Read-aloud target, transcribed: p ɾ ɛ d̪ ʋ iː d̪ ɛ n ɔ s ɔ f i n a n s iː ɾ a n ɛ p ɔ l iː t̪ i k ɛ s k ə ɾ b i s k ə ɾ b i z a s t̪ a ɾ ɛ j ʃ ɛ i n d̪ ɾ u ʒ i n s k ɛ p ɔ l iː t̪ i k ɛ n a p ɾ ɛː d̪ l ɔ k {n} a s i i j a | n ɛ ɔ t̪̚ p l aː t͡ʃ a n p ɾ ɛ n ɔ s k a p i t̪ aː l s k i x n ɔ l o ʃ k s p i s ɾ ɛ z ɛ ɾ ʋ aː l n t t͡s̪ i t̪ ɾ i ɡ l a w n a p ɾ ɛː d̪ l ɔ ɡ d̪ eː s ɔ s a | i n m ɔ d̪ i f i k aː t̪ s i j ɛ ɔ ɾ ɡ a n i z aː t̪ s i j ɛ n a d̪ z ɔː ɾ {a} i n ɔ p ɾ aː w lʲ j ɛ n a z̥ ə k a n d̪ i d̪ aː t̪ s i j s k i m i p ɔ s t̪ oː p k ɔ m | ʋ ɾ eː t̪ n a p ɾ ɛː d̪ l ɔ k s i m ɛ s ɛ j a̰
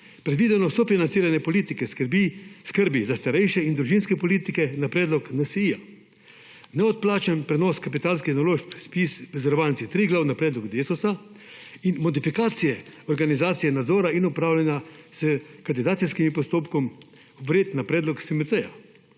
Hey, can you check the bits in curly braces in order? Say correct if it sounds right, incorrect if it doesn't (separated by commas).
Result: correct, correct